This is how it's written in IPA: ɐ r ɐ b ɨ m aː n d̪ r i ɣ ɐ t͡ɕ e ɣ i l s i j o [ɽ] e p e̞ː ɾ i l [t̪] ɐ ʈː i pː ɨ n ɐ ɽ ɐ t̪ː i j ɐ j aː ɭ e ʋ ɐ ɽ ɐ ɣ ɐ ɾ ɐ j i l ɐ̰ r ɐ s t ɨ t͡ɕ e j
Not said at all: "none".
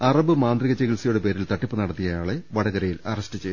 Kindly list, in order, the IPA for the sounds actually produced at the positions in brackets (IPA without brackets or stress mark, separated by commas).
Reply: ɽ, t̪